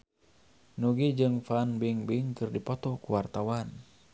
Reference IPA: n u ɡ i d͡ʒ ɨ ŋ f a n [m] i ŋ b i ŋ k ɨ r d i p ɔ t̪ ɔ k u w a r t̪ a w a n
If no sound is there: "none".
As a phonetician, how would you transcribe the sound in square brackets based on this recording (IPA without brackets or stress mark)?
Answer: b